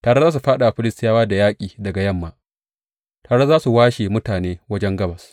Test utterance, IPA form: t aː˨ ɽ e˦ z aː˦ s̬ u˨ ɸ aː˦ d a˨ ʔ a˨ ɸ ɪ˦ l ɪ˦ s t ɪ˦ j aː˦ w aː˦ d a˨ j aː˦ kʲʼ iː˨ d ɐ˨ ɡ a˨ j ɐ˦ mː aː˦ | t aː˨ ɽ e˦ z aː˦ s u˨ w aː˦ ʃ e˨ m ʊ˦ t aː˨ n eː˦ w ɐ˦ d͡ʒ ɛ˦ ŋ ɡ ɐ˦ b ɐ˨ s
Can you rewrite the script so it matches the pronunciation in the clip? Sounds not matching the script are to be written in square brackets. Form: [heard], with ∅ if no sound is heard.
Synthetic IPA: t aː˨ ɽ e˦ z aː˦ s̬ u˨ ɸ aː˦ [ɗ] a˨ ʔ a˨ ɸ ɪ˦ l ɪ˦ s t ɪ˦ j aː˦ w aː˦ d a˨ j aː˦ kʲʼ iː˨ d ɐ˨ ɡ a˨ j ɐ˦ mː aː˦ | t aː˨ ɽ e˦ z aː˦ s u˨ w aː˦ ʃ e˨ m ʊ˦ t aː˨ n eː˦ w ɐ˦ d͡ʒ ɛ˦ ŋ ɡ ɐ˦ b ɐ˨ s